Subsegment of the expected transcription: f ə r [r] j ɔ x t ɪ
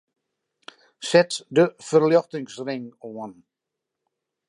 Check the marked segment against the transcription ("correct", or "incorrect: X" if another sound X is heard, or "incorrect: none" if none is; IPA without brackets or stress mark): incorrect: l